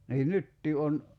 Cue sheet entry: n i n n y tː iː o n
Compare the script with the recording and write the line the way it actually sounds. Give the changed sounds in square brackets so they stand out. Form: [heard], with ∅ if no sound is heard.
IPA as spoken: n [iː] n n y tː iː o n